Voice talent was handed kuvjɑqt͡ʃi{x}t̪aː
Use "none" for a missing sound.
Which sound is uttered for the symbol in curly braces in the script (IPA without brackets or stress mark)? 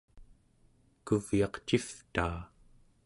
f